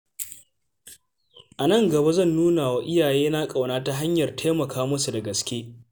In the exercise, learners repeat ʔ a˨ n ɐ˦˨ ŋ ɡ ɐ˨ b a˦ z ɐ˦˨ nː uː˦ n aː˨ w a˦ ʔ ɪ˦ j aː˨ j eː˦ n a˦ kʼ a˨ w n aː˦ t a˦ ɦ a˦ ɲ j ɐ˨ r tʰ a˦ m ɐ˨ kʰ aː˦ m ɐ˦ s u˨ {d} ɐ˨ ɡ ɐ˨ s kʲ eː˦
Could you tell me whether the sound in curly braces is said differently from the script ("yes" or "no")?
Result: no